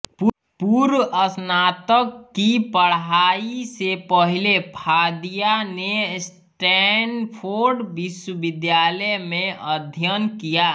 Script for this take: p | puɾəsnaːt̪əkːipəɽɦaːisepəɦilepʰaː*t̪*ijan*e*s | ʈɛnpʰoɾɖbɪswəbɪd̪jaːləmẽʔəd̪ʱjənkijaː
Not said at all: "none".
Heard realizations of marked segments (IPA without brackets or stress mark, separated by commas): d̪, e